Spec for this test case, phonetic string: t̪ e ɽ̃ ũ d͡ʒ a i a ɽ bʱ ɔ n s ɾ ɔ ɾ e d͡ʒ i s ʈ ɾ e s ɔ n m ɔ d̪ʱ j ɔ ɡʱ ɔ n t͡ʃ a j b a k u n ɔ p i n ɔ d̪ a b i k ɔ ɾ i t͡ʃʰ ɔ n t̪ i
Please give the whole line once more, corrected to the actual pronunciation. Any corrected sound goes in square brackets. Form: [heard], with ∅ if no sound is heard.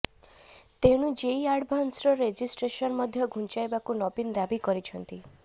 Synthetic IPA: t̪ e ɽ̃ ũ d͡ʒ [e] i a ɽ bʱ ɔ n s ɾ ɔ ɾ e d͡ʒ i s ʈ ɾ e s ɔ n m ɔ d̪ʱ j ɔ ɡʱ [u] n t͡ʃ a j b a k u n ɔ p i n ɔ d̪ a b i k ɔ ɾ i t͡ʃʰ ɔ n t̪ i